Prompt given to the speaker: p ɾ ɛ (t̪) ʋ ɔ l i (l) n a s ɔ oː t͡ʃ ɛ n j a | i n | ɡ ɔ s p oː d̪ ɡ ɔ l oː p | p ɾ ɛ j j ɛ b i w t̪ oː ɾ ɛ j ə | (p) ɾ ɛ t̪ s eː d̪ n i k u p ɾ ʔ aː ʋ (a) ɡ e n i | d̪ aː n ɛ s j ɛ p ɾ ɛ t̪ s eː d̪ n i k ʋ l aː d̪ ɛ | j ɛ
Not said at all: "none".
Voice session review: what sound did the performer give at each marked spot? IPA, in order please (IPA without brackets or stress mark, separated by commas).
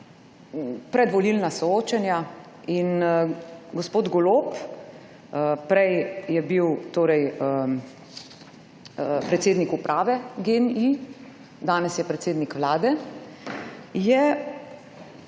d̪, l, p, ɛ